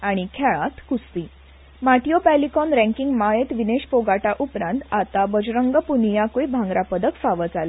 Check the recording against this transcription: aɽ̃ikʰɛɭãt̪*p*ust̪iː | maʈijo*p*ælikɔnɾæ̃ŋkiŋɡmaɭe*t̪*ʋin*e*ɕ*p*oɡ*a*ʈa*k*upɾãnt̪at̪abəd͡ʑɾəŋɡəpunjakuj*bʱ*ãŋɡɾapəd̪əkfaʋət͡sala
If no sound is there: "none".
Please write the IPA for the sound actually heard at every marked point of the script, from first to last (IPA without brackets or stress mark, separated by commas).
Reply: k, p, t̪, e, p, a, ʔ, bʱ